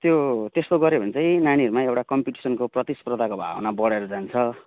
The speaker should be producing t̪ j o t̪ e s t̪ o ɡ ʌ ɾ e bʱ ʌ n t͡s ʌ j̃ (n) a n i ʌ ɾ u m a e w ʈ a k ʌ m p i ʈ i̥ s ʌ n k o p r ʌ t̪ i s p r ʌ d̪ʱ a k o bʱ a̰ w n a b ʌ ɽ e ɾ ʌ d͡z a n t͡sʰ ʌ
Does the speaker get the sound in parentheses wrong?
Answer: no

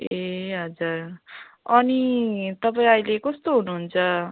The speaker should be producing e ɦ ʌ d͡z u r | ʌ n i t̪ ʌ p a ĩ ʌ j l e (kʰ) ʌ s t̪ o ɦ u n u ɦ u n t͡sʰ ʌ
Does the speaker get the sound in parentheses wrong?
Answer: yes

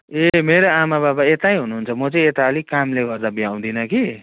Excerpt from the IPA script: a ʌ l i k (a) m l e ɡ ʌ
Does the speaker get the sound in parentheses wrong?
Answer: no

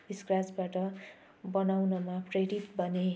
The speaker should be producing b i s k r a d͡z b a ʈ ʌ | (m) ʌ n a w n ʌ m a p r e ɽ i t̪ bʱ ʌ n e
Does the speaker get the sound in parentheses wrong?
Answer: yes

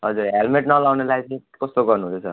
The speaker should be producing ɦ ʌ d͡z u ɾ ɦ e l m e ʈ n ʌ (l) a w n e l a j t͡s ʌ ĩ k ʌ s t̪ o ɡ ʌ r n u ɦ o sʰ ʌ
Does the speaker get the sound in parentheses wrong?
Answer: no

